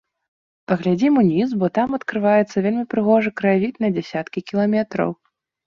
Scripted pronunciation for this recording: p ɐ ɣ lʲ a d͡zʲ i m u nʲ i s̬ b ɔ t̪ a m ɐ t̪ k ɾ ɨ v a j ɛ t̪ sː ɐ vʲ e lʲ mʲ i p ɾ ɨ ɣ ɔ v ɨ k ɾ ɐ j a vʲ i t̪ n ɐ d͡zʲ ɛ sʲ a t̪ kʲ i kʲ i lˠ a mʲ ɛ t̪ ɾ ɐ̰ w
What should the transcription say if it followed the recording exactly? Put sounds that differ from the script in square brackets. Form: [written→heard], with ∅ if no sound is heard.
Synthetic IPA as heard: p ɐ ɣ lʲ a d͡zʲ i m u nʲ i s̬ b ɔ t̪ a m ɐ t̪ k ɾ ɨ v a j ɛ t̪ sː ɐ vʲ e lʲ mʲ i p ɾ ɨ ɣ ɔ [v→ʐ] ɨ k ɾ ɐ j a vʲ i t̪ n ɐ d͡zʲ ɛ sʲ a t̪ kʲ i kʲ i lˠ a mʲ ɛ t̪ ɾ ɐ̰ w